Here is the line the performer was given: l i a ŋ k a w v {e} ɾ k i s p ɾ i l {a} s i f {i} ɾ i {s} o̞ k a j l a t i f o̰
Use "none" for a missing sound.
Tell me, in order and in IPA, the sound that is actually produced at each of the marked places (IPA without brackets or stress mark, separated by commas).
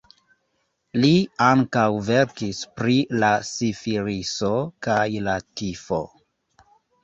e, a, i, s